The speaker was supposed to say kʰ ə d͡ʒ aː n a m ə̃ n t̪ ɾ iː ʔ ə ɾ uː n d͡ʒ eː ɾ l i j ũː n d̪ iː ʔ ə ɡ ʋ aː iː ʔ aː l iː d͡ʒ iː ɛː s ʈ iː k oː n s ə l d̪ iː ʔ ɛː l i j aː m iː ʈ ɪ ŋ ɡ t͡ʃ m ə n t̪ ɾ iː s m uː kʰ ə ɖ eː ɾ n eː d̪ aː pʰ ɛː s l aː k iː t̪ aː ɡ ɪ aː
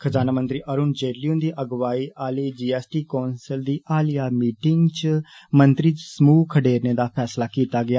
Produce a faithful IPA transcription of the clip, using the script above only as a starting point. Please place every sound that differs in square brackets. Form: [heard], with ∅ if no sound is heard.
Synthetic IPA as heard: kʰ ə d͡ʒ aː n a m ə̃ n t̪ ɾ iː ʔ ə ɾ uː n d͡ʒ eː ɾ l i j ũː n d̪ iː ʔ ə ɡ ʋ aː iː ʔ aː l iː d͡ʒ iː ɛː s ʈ iː k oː n s ə l d̪ iː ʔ [aː] l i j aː m iː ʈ ɪ ŋ ɡ t͡ʃ m ə n t̪ ɾ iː s m uː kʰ ə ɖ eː ɾ n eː d̪ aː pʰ ɛː s l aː k iː t̪ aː ɡ ɪ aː